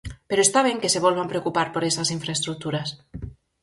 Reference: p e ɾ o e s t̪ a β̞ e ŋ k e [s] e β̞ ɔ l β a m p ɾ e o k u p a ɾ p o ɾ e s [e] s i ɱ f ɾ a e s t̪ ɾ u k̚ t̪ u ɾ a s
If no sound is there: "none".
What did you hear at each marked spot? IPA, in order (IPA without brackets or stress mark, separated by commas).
s, a